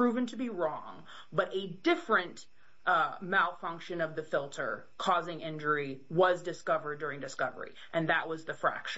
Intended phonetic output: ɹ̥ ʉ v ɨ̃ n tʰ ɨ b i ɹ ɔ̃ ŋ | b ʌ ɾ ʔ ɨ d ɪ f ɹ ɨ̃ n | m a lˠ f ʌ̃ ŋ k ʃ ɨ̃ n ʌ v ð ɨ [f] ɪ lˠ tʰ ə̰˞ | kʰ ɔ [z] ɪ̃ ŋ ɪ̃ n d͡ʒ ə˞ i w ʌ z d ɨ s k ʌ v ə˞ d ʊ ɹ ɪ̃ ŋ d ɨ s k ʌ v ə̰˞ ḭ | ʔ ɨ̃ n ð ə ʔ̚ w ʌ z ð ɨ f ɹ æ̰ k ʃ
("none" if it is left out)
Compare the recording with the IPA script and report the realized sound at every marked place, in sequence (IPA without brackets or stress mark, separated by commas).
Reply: f, z